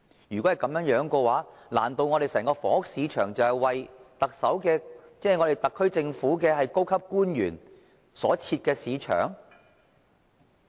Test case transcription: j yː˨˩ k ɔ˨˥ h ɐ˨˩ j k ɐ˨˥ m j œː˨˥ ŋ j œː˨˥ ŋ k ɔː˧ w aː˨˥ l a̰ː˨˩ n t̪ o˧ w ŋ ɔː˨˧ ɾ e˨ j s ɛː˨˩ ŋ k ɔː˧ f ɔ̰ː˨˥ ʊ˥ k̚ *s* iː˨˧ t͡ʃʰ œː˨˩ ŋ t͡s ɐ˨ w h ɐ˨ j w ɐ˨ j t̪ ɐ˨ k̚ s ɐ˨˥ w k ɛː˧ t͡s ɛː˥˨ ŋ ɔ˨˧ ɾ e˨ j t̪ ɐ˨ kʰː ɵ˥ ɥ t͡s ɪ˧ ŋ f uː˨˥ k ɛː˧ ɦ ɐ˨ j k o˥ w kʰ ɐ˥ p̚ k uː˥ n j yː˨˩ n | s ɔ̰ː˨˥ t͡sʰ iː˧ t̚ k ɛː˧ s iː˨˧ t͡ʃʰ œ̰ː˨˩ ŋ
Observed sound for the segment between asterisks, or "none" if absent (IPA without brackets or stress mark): s